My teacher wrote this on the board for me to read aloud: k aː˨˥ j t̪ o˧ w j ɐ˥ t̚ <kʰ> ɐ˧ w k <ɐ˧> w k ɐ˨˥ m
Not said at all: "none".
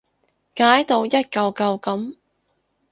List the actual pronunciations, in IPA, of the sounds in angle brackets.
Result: k, ɐ˧

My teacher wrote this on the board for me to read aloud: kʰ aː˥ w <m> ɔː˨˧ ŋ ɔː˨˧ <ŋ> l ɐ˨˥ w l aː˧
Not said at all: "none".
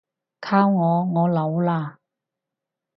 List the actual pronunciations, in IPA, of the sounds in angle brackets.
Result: ŋ, none

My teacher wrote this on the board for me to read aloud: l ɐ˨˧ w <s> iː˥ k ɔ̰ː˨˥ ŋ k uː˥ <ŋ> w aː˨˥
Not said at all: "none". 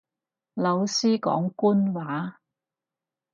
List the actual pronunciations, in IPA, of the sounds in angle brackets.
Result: s, n

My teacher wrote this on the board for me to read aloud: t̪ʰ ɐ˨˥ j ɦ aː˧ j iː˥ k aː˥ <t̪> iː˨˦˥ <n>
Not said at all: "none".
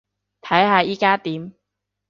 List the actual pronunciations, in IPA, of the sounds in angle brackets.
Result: t̪, m

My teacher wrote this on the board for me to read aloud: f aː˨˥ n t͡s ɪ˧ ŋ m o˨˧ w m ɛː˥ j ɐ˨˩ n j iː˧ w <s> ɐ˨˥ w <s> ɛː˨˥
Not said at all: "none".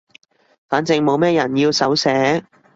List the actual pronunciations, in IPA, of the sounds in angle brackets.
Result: s, s

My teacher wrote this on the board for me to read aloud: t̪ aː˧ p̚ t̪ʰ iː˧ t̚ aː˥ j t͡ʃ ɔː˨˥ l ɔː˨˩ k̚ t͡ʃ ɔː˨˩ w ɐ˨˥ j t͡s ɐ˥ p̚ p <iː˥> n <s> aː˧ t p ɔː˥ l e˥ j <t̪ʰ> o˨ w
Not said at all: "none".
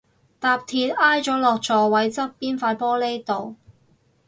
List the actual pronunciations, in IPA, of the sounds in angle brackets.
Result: iː˥, f, t̪

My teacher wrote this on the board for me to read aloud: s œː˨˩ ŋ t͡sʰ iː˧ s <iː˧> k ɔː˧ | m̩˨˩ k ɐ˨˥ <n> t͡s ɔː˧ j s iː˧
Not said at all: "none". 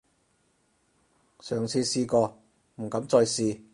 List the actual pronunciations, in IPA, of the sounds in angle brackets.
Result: iː˧, m

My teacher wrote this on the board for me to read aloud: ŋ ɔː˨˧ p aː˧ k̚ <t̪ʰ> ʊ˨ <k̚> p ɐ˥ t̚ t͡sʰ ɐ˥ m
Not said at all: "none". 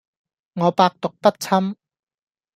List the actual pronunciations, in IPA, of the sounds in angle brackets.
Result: t̪, k̚

